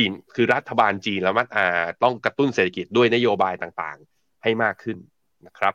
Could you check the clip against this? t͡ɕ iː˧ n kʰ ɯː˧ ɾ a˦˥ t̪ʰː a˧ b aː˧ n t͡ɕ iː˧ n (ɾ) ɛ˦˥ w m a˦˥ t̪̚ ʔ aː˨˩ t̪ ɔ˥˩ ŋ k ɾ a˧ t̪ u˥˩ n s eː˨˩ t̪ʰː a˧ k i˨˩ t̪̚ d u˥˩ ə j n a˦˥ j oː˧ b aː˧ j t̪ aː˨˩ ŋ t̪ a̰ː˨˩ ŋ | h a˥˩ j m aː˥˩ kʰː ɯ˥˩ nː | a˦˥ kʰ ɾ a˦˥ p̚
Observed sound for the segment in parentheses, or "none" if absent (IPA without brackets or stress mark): l